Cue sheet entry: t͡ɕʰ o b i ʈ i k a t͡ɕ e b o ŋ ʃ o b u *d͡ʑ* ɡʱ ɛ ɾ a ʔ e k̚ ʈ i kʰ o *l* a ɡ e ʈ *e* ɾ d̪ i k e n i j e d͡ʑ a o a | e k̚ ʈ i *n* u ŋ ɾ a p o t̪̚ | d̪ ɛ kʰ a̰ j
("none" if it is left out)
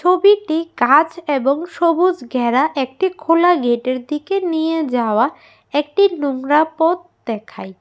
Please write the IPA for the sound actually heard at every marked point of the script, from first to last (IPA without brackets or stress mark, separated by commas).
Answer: d͡ʑ, l, e, n